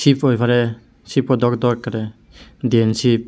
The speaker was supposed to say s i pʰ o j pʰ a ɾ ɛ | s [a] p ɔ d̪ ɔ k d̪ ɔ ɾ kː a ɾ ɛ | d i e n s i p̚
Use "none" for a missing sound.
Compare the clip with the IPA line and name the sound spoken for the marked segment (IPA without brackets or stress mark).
i